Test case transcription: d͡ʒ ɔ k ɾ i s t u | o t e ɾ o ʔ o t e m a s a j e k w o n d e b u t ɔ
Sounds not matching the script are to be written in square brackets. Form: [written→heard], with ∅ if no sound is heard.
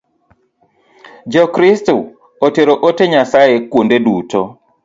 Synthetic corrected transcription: d͡ʒ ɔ k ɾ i s t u | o t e ɾ o ʔ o t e [m→ɲ] a s a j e k w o n d e [b→d] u t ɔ